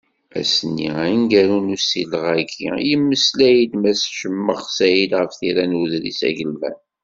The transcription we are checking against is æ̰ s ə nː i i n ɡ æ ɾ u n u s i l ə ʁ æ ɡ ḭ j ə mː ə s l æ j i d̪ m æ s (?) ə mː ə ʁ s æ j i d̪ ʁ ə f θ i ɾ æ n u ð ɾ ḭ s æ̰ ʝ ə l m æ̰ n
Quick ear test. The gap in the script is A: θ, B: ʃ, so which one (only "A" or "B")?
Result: B